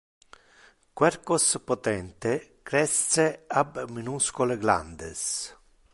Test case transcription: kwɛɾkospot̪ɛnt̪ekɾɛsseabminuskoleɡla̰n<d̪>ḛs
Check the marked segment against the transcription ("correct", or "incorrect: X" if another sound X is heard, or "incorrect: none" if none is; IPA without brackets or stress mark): correct